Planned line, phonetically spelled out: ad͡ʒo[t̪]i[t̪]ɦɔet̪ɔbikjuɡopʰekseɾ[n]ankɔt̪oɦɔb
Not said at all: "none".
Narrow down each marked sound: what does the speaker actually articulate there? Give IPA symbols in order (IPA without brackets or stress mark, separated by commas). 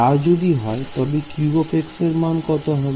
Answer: d̪, none, m